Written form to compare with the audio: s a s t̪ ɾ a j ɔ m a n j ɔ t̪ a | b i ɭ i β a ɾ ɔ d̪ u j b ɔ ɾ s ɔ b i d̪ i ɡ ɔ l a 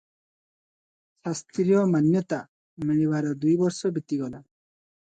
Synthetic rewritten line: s a s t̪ ɾ i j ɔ m a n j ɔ t̪ a | m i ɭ i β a ɾ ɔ d̪ u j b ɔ ɾ s ɔ b i t̪ i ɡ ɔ l a